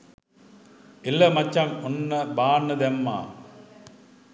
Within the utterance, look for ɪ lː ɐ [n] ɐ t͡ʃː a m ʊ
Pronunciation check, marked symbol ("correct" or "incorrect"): incorrect